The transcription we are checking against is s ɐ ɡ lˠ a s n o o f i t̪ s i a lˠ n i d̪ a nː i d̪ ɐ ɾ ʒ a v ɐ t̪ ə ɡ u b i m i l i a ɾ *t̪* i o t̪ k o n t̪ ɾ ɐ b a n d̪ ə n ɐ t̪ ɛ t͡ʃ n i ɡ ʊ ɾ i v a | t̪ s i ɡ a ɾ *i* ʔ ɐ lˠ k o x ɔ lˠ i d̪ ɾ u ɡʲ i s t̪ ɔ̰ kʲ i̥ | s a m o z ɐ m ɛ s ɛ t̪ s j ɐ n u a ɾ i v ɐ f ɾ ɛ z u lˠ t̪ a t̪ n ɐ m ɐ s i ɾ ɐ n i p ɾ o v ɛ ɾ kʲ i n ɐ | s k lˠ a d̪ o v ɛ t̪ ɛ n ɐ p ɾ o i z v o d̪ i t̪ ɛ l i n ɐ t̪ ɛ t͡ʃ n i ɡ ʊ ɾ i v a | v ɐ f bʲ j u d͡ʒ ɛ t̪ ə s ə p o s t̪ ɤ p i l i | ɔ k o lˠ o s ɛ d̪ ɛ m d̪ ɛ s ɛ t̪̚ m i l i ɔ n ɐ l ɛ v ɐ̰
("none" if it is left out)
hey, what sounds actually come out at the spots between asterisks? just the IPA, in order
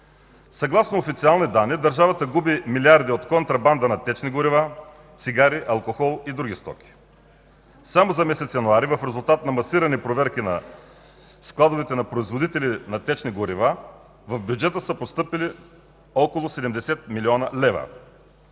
d̪, i

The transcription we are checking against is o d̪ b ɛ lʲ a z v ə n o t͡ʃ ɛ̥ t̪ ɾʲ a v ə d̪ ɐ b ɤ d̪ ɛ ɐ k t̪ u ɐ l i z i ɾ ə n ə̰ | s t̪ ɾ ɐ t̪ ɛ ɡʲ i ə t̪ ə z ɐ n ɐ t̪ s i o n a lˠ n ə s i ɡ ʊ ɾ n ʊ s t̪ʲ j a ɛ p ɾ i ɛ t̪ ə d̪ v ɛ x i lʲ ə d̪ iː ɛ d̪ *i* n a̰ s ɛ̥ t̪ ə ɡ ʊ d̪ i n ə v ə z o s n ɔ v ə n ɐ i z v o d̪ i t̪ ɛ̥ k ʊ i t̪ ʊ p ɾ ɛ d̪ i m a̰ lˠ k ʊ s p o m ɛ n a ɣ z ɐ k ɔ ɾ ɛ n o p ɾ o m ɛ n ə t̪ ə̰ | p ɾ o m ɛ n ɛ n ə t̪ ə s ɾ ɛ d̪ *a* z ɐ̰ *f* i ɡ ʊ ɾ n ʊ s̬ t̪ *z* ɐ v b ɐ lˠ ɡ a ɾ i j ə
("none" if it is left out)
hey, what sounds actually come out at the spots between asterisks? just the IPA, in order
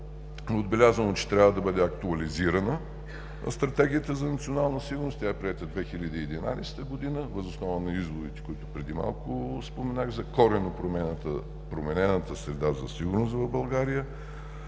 i, a, s, v

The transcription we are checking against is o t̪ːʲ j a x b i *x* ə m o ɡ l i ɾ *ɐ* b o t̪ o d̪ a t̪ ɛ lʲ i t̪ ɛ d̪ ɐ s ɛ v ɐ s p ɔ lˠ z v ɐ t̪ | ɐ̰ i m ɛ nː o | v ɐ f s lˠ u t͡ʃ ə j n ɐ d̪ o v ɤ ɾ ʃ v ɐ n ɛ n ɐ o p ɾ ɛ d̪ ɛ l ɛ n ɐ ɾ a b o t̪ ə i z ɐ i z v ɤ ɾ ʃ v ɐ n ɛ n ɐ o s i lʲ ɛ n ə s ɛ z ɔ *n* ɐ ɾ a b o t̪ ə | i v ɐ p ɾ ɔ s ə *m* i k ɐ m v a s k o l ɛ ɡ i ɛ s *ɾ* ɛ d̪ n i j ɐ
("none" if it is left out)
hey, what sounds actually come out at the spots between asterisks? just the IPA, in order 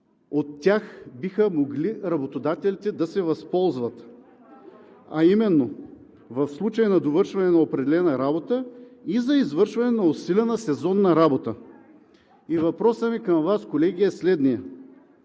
x, ɐ, nː, m, l

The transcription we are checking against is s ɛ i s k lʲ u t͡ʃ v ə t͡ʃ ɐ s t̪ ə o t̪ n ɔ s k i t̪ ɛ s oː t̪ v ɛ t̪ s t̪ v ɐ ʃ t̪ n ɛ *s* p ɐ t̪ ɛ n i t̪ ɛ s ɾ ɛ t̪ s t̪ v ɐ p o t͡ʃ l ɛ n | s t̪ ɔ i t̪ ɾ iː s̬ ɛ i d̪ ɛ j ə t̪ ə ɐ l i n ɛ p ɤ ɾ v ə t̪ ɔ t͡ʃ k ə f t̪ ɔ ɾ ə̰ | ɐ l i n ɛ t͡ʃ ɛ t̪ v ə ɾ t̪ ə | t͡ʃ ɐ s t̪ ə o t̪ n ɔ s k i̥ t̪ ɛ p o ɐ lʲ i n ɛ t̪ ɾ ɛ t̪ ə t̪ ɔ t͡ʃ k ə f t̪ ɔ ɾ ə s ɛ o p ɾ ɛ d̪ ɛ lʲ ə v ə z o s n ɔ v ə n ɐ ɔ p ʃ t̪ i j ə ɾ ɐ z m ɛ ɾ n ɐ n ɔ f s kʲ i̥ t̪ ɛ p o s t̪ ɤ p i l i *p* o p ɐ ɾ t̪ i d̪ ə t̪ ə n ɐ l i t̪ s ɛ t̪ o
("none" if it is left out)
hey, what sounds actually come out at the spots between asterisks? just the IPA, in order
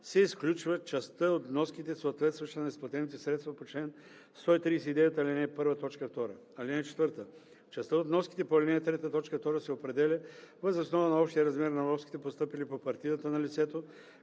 s, p

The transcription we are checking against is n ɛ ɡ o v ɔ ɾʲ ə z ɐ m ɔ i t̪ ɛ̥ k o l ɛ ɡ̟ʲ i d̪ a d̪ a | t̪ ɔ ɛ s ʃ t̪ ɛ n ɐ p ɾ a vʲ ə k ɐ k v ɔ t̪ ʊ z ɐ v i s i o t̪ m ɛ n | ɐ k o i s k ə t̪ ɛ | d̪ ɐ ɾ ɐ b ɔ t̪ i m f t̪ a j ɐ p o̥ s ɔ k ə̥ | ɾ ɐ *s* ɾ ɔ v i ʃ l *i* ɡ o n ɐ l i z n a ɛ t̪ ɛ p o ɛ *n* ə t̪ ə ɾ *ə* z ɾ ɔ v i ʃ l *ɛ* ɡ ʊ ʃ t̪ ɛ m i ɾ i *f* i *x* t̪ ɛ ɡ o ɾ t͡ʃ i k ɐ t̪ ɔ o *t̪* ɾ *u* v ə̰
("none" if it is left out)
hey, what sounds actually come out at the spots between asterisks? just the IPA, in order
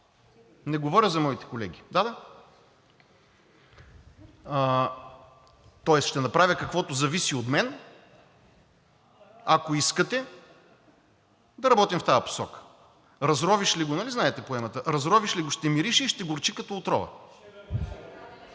z, i, m, ɐ, i, ʃ, ʃ, t̪, ɔ

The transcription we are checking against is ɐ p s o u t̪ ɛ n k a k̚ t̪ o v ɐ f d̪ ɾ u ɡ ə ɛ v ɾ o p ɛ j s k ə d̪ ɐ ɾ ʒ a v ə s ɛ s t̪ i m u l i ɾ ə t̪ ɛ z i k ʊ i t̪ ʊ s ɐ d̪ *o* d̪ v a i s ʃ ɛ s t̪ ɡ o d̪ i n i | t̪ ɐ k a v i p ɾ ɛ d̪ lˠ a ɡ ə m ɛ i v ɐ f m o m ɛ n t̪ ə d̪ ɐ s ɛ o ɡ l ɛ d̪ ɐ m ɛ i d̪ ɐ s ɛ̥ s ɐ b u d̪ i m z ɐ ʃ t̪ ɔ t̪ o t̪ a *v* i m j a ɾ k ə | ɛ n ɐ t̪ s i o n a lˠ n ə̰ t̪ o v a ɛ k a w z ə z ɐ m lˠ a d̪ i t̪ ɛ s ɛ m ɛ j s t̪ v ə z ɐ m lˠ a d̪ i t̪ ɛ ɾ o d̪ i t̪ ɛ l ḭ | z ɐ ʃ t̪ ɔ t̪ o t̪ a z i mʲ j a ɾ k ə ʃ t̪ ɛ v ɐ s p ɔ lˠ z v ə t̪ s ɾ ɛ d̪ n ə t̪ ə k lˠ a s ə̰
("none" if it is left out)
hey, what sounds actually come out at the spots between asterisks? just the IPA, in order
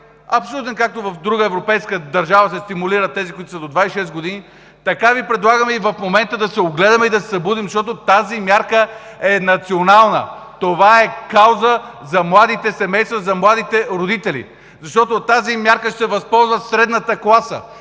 o, z

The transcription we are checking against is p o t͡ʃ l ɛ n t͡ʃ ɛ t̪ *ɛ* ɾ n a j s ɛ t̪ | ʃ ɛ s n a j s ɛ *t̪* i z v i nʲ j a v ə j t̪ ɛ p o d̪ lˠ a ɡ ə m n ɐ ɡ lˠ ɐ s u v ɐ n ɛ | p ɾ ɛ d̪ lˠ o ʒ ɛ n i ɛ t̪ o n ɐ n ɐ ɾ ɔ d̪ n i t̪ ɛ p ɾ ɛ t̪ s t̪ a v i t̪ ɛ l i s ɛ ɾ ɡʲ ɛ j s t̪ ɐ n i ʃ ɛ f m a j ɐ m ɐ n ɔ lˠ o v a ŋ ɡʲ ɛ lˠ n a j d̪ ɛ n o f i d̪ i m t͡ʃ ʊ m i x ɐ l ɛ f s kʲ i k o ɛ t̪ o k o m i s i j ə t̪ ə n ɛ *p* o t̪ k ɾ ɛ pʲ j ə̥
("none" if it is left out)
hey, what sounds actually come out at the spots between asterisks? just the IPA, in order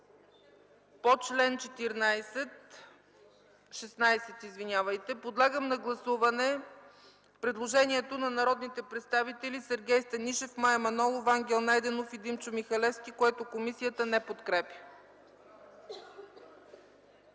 i, t̪, p

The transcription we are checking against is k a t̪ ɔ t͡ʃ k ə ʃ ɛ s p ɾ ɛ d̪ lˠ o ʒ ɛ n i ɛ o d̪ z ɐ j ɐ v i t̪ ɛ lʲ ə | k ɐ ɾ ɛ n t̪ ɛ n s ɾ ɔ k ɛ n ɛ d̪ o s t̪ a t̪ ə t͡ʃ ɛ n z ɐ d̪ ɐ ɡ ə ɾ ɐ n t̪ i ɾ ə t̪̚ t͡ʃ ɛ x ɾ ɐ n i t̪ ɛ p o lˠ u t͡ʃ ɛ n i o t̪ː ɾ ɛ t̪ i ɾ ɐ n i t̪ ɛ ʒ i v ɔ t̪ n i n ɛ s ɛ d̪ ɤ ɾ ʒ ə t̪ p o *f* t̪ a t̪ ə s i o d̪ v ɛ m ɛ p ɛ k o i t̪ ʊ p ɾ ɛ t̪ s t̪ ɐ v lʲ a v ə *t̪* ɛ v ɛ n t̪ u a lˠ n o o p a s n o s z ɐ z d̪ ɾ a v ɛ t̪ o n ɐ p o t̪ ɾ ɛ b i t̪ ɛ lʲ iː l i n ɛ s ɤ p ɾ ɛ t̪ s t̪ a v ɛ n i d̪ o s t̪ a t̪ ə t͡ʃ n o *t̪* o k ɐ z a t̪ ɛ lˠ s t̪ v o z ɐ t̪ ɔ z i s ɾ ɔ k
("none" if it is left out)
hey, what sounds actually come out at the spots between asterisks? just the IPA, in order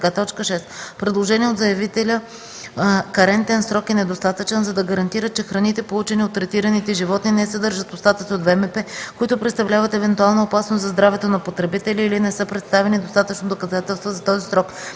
s, t̪, d̪

